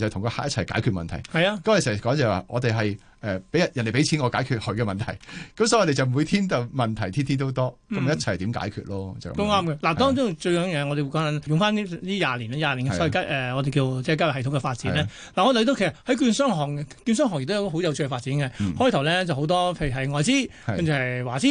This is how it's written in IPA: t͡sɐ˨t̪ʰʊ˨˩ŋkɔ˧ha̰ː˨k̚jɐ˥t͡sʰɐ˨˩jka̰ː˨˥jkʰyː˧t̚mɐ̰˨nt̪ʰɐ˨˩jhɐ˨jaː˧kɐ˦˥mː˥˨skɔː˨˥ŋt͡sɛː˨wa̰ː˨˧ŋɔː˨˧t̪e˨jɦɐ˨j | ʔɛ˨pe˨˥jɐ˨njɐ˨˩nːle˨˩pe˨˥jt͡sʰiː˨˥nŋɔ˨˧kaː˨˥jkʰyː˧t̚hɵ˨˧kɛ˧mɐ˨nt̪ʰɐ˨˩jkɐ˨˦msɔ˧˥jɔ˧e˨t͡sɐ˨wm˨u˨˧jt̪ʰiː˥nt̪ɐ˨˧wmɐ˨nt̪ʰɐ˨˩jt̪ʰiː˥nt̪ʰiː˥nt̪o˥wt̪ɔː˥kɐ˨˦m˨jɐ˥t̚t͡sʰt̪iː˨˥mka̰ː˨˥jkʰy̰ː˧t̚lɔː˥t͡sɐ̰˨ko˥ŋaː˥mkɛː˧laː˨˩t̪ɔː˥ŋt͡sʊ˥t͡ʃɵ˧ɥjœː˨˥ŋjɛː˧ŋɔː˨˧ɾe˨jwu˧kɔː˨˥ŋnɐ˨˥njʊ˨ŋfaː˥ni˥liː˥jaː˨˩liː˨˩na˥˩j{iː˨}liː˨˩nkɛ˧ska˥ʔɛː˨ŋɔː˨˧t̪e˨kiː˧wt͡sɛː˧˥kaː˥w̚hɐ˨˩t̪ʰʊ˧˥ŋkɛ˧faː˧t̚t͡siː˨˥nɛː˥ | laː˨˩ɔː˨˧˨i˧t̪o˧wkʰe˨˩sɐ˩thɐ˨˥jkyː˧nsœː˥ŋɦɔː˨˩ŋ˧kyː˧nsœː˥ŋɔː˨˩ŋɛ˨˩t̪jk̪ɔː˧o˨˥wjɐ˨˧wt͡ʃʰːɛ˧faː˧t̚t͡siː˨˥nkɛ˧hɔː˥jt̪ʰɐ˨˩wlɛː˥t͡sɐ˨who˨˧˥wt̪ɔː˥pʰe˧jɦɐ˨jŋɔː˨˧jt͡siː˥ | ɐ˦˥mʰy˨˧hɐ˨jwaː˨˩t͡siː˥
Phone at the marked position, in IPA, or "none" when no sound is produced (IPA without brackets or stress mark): aː˨